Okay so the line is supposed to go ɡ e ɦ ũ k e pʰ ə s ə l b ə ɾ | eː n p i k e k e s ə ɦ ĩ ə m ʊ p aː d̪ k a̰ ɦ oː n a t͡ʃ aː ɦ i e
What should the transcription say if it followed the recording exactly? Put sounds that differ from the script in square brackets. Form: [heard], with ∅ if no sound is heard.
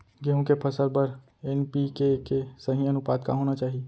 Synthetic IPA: ɡ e ɦ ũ k e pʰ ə s ə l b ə ɾ | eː n p i k e k e s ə ɦ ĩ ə [n] ʊ p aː d̪ k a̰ ɦ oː n a t͡ʃ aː ɦ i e